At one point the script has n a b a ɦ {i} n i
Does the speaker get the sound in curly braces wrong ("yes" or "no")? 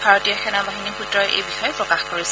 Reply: no